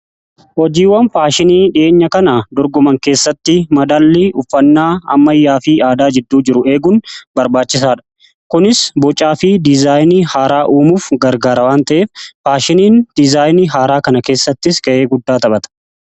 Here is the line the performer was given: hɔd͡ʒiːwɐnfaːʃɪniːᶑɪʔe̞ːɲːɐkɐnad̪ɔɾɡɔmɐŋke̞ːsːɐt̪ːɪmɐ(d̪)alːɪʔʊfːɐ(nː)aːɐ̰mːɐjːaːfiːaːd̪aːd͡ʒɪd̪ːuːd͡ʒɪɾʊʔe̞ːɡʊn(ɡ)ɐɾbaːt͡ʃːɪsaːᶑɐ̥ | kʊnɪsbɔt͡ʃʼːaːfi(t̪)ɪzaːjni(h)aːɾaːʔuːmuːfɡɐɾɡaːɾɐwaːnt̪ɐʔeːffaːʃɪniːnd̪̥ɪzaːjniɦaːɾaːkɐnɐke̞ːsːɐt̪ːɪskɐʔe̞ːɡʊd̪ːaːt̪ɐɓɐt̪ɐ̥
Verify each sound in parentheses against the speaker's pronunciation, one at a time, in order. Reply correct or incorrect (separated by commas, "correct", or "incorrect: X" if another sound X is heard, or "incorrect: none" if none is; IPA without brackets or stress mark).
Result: correct, correct, incorrect: b, incorrect: d̪, correct